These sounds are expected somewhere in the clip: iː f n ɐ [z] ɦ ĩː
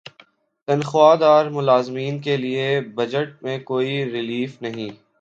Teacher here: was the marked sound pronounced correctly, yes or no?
no